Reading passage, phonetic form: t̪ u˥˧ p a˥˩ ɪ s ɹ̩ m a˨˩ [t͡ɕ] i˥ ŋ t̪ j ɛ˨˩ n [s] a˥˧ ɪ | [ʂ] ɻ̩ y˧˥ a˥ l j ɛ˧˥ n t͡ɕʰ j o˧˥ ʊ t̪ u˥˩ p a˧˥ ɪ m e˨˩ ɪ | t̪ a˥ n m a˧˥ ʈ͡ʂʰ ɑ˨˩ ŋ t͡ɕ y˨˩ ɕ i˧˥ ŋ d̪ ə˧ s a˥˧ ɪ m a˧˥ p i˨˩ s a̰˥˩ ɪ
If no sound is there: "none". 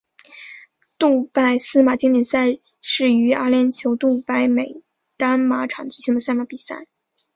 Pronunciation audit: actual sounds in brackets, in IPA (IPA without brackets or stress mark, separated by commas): t͡ɕ, s, ʂ